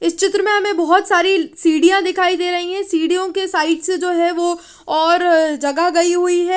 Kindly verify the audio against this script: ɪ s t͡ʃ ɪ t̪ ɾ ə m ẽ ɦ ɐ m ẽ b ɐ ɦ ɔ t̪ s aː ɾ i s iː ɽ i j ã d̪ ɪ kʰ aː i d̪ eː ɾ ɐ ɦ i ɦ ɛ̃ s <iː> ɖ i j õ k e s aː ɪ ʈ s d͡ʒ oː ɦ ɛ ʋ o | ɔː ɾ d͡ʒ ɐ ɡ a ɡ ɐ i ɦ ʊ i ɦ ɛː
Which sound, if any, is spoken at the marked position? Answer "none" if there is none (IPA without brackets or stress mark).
iː